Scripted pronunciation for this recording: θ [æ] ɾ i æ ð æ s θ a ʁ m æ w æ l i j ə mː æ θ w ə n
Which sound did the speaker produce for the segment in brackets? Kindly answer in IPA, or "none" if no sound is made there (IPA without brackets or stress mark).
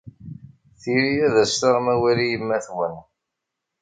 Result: i